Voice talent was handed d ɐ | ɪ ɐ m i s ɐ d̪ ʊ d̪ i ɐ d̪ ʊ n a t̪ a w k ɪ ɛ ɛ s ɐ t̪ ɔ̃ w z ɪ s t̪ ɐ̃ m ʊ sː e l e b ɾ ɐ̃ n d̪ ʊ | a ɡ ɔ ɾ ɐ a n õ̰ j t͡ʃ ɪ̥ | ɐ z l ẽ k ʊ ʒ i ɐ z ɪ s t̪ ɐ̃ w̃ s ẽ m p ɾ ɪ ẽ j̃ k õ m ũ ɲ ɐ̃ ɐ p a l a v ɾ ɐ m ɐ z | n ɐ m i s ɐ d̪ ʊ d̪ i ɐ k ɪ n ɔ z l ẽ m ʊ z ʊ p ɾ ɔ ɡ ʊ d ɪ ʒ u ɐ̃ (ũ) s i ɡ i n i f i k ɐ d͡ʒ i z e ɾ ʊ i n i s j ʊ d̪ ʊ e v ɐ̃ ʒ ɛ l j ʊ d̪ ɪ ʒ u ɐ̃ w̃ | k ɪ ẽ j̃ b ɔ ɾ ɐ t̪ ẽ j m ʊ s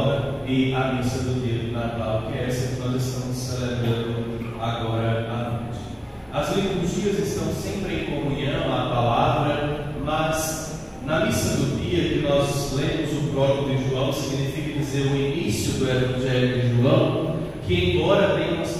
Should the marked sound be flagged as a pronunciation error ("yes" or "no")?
yes